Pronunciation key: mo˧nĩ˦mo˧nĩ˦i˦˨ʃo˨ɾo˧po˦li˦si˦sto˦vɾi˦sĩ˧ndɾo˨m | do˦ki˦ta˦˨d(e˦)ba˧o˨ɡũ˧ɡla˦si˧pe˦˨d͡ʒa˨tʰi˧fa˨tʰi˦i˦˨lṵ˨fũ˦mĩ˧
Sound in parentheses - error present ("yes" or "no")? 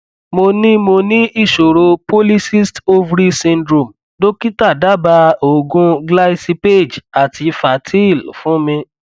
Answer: yes